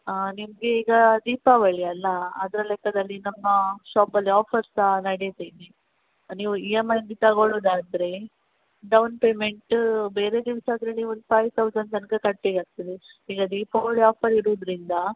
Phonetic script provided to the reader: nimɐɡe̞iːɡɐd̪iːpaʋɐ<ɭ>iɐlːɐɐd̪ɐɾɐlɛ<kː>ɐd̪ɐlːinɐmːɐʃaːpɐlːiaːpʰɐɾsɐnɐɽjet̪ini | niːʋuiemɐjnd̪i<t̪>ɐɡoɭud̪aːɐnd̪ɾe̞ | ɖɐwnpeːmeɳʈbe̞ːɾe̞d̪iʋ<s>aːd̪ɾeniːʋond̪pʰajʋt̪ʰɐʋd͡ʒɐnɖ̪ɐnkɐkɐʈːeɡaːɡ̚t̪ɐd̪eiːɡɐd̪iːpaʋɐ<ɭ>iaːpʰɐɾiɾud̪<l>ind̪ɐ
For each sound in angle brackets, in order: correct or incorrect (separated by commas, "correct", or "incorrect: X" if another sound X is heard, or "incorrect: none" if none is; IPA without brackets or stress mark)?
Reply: correct, correct, correct, correct, correct, incorrect: ɾ